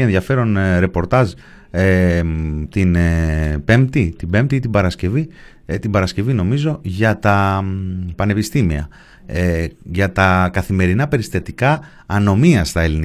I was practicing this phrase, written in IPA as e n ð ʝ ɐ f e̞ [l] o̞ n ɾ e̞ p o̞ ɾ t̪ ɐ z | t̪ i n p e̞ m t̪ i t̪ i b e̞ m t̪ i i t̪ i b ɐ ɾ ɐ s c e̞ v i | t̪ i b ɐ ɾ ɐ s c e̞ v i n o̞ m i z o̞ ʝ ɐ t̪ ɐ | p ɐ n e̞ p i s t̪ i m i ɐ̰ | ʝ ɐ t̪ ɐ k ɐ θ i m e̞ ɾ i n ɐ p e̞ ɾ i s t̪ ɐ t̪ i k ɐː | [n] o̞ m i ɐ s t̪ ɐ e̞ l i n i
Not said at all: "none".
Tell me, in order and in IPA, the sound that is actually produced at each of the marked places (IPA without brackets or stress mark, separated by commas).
ɾ, n